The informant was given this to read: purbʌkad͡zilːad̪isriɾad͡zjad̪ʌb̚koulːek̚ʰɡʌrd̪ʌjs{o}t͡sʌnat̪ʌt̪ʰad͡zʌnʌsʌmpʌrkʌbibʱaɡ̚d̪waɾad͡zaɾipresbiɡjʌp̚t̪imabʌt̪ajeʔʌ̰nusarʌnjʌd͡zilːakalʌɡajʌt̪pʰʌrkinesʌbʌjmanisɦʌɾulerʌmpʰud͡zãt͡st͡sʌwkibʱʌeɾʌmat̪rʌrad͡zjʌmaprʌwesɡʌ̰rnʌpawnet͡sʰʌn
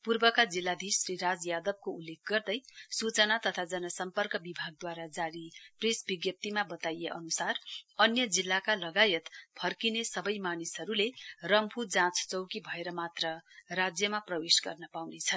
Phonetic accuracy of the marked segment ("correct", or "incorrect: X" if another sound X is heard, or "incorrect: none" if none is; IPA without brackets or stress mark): incorrect: u